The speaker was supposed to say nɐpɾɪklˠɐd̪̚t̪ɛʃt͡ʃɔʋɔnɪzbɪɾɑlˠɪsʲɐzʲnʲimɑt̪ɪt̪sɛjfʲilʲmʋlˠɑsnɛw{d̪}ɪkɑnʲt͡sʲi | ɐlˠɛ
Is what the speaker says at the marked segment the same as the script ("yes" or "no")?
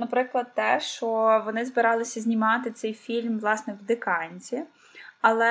yes